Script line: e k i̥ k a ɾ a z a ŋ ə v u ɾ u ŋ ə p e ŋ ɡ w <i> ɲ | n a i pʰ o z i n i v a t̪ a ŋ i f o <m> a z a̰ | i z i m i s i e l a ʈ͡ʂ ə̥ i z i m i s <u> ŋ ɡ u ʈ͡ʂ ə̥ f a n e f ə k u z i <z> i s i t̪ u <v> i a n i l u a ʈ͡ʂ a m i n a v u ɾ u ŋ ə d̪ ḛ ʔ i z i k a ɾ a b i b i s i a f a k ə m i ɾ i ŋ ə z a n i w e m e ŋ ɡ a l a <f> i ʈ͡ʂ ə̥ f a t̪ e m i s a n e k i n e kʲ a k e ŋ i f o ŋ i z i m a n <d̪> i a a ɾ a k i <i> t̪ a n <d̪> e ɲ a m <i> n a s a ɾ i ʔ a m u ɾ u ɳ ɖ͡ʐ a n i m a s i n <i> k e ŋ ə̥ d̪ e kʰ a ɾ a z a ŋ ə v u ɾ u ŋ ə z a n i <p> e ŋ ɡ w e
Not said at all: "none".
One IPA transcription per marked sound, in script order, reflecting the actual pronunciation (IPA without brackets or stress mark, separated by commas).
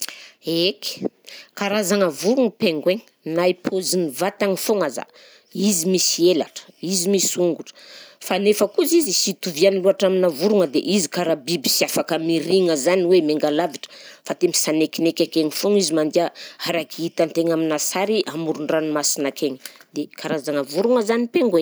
e, ŋ, u, z, v, v, d̪, i, t̪, i, a, p